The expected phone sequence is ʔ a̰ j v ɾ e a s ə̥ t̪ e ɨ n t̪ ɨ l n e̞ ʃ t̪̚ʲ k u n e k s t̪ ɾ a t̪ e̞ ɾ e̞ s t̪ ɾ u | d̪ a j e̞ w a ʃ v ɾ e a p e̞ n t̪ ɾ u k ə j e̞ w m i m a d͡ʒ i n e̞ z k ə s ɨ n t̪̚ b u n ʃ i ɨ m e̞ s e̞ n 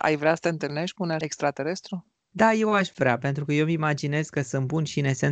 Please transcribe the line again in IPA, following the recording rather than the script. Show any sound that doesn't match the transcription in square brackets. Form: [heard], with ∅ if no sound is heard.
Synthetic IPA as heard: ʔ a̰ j v ɾ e a s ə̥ t̪ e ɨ n t̪ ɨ l n e̞ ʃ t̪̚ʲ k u n e k s t̪ ɾ a t̪ e̞ ɾ e̞ s t̪ ɾ u | d̪ a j e̞ w a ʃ v ɾ e a p e̞ n t̪ ɾ u k ə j e̞ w m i m a d͡ʒ i n e̞ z k ə s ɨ n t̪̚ b u n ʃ i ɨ [n] e̞ s e̞ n